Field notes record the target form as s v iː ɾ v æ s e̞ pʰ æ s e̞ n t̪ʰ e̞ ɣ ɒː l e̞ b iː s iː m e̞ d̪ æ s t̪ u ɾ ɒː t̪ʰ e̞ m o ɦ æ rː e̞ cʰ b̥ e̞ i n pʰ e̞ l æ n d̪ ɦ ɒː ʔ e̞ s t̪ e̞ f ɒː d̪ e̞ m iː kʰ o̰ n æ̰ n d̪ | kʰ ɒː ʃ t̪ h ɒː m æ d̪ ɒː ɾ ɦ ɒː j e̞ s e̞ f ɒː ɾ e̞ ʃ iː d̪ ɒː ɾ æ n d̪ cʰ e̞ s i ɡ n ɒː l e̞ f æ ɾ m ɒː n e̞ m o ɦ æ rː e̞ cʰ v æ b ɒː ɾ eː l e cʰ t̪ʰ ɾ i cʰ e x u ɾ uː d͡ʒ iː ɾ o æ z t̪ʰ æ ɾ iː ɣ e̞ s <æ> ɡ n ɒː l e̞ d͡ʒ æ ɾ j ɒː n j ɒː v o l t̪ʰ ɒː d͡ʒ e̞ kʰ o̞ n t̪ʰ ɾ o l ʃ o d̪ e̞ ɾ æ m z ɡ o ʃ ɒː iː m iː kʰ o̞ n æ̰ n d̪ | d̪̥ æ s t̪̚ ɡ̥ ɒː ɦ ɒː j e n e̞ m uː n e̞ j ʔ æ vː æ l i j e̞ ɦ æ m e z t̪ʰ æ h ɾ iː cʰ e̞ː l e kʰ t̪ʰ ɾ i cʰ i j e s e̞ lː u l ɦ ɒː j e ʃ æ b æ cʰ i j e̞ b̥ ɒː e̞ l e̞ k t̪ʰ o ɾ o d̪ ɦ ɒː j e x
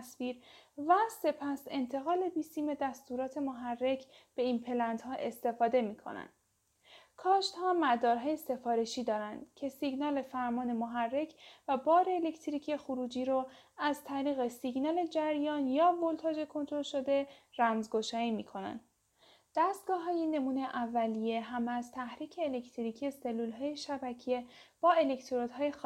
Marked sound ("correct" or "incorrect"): incorrect